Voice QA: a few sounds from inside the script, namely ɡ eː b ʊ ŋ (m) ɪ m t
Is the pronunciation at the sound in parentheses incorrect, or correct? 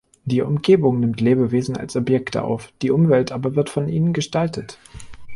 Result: incorrect